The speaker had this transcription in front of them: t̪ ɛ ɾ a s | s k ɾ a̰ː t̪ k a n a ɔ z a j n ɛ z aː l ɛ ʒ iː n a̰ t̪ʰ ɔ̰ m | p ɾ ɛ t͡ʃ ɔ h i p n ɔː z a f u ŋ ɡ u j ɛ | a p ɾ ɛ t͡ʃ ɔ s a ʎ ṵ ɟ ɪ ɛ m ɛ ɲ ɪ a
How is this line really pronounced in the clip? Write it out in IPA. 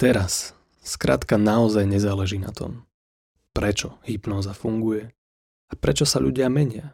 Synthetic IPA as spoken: t̪ ɛ ɾ a s | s k ɾ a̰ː t̪ k a n a ɔ z a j ɲ ɛ z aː l ɛ ʒ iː n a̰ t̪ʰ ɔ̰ m | p ɾ ɛ t͡ʃ ɔ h i p n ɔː z a f u ŋ ɡ u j ɛ | a p ɾ ɛ t͡ʃ ɔ s a ʎ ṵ ɟ ɪ a m ɛ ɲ ɪ a